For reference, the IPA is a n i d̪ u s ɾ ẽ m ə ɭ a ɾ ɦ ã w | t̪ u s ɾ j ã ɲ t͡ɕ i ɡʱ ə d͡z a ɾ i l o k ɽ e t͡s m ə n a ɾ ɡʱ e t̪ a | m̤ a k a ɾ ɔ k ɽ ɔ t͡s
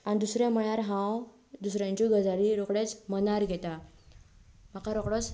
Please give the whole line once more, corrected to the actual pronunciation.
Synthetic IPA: a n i d̪ u s ɾ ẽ m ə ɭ a ɾ ɦ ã w | d̪ u s ɾ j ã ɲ t͡ɕ i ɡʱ ə d͡z a ɾ i ɾ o k ɽ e t͡s m ə n a ɾ ɡʱ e t̪ a | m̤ a k a ɾ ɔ k ɽ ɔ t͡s